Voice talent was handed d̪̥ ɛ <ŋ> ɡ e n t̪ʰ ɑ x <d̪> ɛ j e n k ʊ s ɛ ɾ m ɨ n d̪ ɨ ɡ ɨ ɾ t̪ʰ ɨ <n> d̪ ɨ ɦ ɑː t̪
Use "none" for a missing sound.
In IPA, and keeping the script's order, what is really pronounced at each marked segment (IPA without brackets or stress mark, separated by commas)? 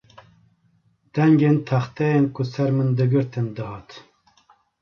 ŋ, t̪, n